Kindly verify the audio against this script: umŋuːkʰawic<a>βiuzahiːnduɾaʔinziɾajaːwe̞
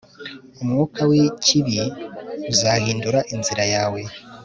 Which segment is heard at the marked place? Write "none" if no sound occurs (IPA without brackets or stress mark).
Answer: i